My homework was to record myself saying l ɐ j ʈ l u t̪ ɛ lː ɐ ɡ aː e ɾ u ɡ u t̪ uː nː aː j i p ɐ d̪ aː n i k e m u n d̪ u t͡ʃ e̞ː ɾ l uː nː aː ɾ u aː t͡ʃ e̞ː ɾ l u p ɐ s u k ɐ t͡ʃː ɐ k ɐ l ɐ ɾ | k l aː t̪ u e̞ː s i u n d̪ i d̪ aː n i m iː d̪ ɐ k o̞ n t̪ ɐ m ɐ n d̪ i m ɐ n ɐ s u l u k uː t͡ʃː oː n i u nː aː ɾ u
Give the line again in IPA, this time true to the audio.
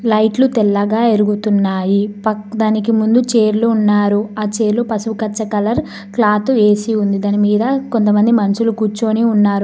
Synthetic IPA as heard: l ɐ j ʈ l u t̪ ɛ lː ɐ ɡ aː e ɾ u ɡ u t̪ u nː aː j i p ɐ d̪ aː n i k i m u n d̪ u t͡ʃ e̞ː ɾ l uː nː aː ɾ u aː t͡ʃ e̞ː ɾ l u p ɐ s u k ɐ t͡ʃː ɐ k ɐ l ɐ ɾ | k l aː t̪ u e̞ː s i u n d̪ i d̪ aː n i m iː d̪ ɐ k o̞ n t̪ ɐ m ɐ n d̪ i m ɐ n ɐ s u l u k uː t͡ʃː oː n i u nː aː ɾ u